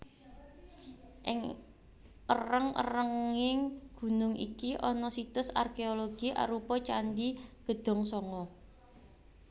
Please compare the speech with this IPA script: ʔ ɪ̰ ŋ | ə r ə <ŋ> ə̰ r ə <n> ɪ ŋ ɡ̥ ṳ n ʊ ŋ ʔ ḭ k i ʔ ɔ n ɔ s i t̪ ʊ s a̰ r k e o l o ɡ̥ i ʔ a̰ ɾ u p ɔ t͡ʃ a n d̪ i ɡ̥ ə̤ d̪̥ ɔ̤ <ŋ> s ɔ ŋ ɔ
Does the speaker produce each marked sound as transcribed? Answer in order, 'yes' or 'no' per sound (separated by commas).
yes, no, yes